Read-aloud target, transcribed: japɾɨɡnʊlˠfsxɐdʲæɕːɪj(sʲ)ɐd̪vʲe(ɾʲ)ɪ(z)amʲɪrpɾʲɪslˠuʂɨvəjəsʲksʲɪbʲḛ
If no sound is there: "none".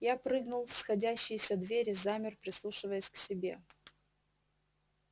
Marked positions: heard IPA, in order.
sʲ, ɾʲ, z

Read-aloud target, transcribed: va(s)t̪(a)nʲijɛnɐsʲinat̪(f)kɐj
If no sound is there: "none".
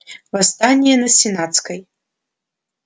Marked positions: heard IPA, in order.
s, a, s

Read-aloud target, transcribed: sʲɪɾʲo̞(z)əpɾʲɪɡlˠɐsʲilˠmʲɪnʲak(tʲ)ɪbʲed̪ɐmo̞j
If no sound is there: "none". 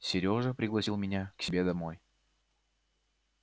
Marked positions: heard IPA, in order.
ʐ, sʲ

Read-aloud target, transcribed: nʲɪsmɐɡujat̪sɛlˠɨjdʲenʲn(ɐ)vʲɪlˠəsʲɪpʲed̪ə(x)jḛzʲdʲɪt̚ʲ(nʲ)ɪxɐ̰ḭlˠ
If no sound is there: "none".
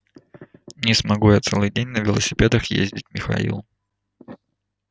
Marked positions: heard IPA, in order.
ə, x, mʲ

